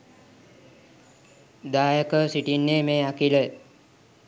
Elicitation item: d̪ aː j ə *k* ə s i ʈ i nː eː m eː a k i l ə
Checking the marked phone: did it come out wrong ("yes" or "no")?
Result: no